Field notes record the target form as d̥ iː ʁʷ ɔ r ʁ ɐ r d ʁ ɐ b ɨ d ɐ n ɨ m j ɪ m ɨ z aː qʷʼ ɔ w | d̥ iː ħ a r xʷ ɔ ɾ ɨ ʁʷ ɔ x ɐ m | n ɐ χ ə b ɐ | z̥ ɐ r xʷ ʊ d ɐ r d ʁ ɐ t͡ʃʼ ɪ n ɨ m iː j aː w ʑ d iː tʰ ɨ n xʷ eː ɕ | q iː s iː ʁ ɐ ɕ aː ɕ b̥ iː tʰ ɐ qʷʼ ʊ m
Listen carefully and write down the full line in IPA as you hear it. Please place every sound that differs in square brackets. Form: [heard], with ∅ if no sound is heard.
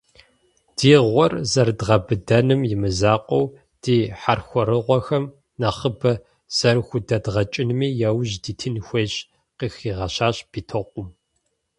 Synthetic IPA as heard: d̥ iː ʁʷ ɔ r [z] ɐ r d ʁ ɐ b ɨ d ɐ n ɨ m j ɪ m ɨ z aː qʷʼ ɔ w | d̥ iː ħ a r xʷ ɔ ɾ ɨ ʁʷ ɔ x ɐ m | n ɐ χ ə b ɐ | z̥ ɐ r xʷ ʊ d ɐ [∅] d ʁ ɐ t͡ʃʼ ɪ n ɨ m iː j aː w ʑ d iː tʰ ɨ n xʷ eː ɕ | q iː [x] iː ʁ ɐ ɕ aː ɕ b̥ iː tʰ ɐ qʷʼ ʊ m